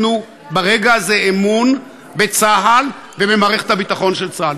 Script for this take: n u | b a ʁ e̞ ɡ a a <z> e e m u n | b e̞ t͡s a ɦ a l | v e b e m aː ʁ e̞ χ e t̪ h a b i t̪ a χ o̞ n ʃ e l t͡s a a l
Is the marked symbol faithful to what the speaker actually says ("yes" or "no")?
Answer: yes